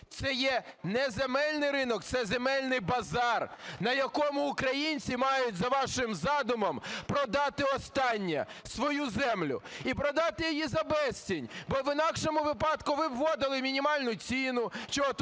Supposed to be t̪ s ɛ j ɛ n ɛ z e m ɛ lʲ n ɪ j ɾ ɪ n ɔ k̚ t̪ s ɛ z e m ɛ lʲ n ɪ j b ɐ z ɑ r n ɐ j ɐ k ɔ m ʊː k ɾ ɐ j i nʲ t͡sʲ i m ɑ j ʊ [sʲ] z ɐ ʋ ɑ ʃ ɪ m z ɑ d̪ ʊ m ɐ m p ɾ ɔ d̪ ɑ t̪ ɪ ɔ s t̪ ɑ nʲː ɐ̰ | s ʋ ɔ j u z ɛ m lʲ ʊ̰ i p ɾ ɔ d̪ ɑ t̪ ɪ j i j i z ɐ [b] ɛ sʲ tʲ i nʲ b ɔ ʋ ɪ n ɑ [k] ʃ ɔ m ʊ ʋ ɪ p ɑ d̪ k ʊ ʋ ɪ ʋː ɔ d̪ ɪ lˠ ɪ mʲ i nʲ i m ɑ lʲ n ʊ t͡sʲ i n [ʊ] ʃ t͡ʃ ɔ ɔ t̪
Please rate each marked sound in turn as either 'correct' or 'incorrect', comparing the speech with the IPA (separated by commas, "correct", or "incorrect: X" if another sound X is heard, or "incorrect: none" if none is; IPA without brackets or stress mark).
incorrect: tʲ, correct, correct, correct